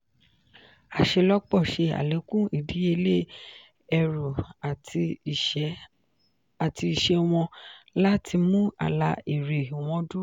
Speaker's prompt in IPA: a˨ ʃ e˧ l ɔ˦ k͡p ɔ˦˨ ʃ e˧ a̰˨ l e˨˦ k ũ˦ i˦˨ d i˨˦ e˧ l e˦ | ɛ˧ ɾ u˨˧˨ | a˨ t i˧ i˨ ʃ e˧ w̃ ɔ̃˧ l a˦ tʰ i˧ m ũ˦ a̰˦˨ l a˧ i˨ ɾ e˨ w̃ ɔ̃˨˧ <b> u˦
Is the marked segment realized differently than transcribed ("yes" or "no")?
yes